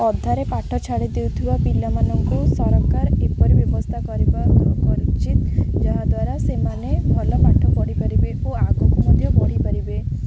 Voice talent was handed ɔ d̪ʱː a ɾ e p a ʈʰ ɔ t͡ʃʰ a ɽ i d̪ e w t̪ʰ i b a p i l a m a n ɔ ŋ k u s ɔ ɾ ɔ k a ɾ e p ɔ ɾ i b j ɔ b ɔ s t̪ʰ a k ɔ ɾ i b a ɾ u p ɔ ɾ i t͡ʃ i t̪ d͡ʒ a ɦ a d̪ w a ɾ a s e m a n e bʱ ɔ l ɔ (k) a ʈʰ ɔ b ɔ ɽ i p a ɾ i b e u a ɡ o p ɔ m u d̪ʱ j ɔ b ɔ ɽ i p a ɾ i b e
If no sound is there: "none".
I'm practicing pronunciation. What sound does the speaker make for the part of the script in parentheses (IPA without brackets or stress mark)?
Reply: p